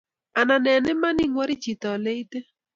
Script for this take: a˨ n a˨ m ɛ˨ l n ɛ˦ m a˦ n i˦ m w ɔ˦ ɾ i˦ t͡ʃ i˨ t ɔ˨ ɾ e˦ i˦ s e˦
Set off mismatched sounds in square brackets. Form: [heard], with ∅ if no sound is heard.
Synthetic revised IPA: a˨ n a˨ [n] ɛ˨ [∅] n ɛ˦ m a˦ n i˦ [ŋ] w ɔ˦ ɾ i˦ t͡ʃ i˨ t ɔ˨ [l] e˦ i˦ [t] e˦